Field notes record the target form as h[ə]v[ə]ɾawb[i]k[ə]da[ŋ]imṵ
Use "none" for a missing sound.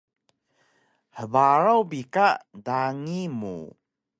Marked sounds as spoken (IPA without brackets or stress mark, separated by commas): ə, a, i, a, ŋ